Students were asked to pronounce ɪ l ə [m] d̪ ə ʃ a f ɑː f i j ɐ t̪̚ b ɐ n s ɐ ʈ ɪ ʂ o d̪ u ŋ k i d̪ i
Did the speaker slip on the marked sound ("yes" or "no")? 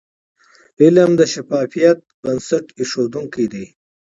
no